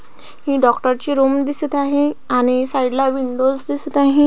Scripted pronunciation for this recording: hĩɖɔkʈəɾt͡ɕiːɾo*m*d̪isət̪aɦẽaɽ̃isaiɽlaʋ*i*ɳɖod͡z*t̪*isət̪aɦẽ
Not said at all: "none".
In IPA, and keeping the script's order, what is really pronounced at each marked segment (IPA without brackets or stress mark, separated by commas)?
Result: m, i, d̪